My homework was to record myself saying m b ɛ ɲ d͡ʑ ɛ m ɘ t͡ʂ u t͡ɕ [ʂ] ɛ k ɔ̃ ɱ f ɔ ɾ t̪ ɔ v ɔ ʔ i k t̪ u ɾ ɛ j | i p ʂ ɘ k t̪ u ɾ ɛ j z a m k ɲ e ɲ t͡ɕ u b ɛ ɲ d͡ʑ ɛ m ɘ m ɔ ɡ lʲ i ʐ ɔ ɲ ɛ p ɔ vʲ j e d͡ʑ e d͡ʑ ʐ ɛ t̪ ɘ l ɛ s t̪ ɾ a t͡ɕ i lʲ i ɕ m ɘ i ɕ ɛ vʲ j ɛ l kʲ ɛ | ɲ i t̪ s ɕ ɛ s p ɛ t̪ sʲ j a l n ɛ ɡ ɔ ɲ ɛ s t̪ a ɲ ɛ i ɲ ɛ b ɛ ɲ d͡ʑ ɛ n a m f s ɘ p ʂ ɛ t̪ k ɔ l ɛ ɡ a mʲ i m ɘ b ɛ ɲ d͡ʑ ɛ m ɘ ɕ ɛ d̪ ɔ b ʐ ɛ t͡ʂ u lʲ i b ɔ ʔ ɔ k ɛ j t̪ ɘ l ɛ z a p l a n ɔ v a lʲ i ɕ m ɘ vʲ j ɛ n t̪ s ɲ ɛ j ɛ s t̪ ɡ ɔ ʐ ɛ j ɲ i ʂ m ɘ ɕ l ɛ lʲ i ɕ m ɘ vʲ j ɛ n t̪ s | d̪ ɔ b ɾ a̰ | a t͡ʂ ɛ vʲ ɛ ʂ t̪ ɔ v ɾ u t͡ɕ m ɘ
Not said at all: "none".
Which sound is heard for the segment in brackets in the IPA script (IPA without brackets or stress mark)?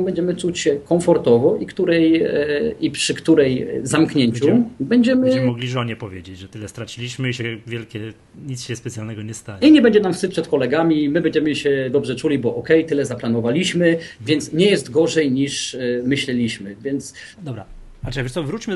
ɕ